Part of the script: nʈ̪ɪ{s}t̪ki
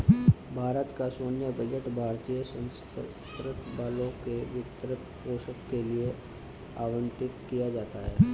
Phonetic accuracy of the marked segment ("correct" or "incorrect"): incorrect